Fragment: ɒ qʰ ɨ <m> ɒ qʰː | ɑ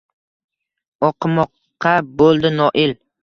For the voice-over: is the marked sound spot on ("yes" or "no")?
yes